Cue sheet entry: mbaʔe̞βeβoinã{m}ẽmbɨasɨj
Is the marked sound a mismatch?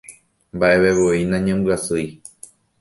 yes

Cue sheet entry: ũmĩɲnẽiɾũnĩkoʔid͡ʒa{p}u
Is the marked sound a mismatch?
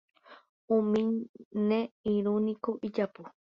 no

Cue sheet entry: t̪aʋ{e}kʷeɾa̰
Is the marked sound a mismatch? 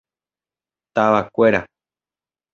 yes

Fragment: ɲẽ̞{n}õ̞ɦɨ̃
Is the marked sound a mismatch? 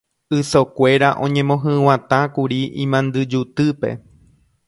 yes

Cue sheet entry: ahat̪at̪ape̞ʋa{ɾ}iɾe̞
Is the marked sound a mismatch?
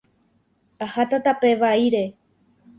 yes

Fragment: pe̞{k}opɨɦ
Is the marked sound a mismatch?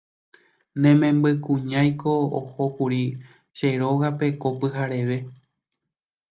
no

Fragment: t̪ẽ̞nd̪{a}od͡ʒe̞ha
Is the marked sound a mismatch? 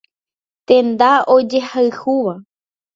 no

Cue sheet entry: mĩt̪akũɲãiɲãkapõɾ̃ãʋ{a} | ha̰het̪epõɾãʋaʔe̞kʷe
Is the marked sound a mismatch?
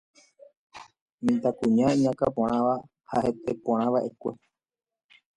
no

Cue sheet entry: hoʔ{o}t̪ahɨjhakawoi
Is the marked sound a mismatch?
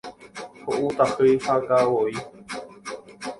yes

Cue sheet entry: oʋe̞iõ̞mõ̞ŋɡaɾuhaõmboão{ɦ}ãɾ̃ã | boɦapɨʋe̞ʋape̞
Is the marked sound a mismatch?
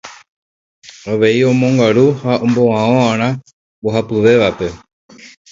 yes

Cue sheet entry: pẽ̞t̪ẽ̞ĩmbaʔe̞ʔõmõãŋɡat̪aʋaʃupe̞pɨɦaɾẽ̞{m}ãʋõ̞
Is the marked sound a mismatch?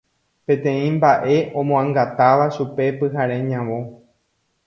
yes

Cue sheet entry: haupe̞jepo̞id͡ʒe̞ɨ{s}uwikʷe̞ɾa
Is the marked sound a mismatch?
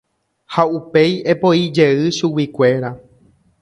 yes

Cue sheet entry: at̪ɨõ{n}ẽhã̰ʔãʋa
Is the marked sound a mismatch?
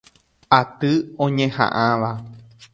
yes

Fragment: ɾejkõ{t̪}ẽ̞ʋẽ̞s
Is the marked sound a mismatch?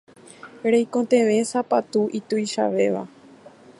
no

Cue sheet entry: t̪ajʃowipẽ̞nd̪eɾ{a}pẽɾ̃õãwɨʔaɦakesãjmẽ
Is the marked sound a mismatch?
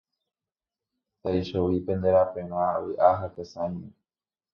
no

